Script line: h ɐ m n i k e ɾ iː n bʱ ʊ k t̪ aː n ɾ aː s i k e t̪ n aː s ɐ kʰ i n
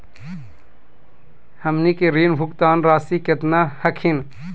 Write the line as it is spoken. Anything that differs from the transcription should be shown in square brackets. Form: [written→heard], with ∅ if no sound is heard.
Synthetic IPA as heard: h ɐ m n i k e ɾ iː n bʱ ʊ k t̪ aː n ɾ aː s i k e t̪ n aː [s→h] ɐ kʰ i n